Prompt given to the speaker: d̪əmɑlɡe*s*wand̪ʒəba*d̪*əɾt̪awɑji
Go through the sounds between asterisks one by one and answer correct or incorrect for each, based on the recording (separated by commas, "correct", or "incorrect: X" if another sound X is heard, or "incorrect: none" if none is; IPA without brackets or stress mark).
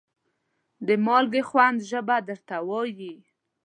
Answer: incorrect: x, correct